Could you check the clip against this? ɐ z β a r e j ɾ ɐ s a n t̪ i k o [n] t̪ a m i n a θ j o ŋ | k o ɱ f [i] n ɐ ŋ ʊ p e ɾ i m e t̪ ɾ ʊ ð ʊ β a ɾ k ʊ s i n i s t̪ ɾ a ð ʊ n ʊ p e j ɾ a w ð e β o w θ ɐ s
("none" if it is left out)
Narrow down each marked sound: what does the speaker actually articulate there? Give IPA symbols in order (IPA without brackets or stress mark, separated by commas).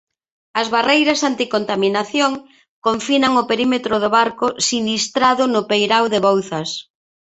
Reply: n, i